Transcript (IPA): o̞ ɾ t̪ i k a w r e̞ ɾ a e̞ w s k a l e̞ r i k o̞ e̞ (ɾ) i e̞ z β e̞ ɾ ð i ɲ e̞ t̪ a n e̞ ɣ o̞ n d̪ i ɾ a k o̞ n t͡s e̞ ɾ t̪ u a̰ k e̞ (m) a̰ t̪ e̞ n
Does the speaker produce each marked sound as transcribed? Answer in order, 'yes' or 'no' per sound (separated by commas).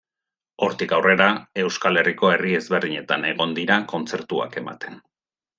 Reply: no, yes